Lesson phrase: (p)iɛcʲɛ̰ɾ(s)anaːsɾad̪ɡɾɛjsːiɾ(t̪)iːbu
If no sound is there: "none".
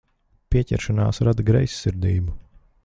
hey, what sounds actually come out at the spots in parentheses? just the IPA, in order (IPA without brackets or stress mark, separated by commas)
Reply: p, ʃ, d̪